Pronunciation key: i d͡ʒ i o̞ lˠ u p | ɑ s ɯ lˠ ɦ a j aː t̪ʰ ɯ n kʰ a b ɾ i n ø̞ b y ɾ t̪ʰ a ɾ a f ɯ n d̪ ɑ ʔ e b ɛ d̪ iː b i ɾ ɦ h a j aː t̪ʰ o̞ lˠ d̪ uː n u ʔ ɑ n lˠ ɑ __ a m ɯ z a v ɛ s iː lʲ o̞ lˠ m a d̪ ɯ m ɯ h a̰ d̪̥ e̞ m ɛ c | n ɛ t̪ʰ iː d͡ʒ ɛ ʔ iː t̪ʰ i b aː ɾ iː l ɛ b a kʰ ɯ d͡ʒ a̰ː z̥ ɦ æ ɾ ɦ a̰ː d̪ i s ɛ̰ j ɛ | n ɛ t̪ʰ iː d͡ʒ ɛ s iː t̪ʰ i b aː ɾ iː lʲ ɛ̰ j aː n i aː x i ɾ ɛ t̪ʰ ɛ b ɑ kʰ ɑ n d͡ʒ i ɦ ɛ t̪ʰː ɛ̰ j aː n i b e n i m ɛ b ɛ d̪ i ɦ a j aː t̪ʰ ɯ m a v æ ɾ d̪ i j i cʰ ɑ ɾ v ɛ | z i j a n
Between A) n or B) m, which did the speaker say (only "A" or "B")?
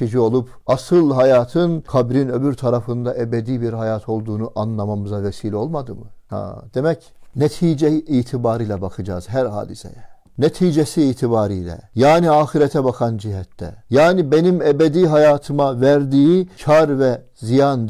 B